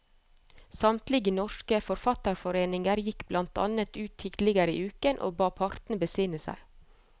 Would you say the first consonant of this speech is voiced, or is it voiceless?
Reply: voiceless